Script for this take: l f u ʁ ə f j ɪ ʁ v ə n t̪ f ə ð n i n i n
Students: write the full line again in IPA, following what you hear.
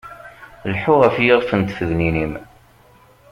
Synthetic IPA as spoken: l ħ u ʁ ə f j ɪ ʁ f ə n t̪ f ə ð n i n i m